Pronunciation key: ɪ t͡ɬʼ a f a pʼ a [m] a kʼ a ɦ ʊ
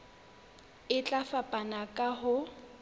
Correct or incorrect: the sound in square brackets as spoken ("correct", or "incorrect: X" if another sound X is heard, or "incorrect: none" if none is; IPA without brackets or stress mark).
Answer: incorrect: n